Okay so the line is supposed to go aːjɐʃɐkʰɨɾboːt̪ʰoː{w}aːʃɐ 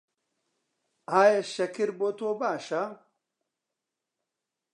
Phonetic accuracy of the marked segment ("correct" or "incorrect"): incorrect